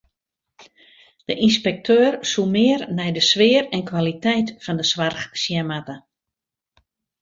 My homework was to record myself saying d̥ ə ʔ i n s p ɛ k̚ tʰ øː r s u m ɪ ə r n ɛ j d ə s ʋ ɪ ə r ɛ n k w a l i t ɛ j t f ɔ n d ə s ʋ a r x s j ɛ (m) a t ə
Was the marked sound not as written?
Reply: no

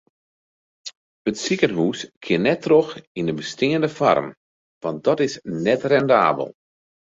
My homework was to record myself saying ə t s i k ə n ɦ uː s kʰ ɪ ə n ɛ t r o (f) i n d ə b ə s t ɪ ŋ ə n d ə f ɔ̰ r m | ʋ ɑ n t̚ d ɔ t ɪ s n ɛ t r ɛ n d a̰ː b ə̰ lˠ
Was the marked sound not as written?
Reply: yes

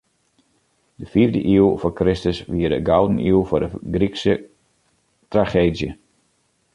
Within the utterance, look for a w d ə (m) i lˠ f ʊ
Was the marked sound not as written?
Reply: yes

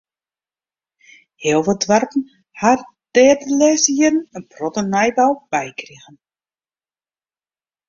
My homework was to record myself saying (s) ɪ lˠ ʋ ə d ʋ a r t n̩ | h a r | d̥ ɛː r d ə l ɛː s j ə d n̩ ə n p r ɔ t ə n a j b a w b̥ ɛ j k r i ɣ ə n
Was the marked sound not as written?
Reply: yes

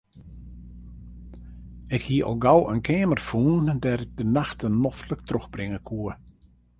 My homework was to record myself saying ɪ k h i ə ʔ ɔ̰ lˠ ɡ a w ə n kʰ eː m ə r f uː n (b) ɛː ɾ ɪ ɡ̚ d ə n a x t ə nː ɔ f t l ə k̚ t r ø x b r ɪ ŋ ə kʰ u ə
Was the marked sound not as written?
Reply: yes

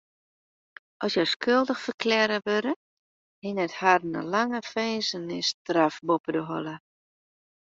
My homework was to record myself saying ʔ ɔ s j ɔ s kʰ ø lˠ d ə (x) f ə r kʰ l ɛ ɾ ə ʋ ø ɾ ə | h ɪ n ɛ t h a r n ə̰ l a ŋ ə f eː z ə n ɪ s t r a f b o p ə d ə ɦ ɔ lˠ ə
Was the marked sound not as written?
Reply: no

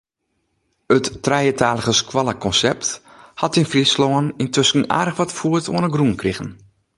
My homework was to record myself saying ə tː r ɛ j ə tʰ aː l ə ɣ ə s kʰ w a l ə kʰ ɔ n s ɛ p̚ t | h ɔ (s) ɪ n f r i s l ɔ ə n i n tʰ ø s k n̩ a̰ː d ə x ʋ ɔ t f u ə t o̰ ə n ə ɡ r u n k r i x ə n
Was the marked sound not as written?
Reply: yes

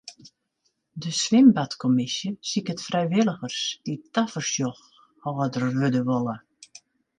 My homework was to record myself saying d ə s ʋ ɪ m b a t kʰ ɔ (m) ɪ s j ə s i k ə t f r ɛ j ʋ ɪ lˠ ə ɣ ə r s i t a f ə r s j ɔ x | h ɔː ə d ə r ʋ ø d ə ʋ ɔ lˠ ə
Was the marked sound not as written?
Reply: no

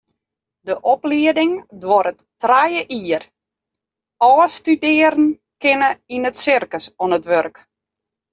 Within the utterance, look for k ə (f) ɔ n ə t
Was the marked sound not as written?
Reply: yes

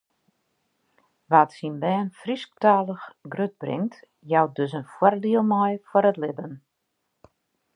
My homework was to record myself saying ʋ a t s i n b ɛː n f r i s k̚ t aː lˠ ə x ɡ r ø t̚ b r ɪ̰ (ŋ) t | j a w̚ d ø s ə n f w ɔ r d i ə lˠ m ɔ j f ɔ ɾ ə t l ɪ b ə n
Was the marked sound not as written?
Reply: no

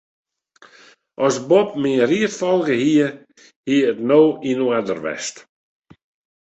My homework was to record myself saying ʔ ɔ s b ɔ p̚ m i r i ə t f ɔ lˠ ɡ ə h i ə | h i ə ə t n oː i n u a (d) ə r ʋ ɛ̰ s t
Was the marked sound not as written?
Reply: no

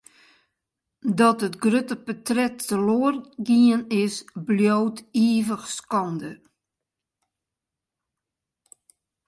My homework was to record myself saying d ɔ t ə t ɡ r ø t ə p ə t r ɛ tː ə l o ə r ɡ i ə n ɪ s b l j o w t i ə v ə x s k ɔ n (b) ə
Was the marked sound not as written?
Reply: yes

